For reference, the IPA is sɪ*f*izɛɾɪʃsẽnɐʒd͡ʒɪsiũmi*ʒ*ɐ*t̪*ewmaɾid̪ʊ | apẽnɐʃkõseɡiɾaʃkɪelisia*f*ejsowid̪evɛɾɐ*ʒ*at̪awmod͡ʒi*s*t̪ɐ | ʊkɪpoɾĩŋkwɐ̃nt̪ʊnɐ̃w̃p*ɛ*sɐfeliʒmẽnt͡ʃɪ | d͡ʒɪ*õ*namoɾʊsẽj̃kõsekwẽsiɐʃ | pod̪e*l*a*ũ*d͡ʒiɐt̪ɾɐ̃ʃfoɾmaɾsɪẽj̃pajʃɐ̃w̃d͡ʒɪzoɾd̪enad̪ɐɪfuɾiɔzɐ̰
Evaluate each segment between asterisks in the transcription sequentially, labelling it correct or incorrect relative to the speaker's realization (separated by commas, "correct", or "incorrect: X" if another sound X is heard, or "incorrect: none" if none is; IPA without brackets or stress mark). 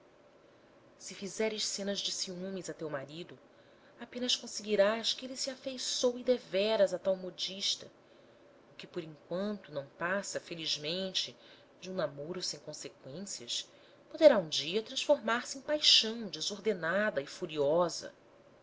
correct, incorrect: z, correct, correct, incorrect: z, incorrect: ʃ, incorrect: a, incorrect: ũ, incorrect: ɾ, correct